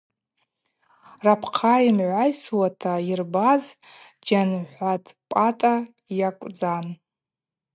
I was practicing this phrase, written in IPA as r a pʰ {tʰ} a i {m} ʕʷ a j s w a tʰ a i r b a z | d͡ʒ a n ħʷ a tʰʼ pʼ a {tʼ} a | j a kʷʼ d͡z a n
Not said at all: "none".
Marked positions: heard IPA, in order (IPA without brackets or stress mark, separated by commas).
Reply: qʰ, m, tʼ